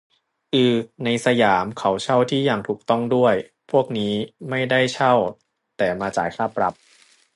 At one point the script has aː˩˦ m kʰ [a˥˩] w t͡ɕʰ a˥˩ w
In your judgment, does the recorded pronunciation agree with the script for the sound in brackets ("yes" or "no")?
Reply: no